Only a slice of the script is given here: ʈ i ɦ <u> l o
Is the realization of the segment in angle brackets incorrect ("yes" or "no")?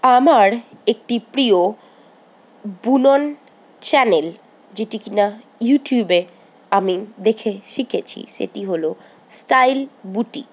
yes